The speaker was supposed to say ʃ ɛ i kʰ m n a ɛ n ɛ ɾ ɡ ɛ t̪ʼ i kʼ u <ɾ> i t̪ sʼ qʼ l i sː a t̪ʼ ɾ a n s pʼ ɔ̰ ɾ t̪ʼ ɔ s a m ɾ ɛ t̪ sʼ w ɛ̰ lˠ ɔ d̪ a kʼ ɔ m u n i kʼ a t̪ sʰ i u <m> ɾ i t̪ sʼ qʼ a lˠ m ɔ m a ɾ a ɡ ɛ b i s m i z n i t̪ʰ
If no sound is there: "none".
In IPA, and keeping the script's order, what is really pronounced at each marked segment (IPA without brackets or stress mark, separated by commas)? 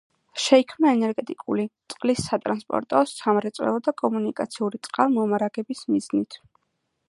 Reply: l, none